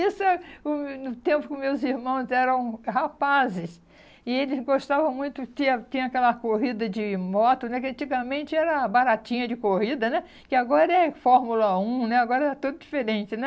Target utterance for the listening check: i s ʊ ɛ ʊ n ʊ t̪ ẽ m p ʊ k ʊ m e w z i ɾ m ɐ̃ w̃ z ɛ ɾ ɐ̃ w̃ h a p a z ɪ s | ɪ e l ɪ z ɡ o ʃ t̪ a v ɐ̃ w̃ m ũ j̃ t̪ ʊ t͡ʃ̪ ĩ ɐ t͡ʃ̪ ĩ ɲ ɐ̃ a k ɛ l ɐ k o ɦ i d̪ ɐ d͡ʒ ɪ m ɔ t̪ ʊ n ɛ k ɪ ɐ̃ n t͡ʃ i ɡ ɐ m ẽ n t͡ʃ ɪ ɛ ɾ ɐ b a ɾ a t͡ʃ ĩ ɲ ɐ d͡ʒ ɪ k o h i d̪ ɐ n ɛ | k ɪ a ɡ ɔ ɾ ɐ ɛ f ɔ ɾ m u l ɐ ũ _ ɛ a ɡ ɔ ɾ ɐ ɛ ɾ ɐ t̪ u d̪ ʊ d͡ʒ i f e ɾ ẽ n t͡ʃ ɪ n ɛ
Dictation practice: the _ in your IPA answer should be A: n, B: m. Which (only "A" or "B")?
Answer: A